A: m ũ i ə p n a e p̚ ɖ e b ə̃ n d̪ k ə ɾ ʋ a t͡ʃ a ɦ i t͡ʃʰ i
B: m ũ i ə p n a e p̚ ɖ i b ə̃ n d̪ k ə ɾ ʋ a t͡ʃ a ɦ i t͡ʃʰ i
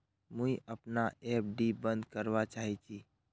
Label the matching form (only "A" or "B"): B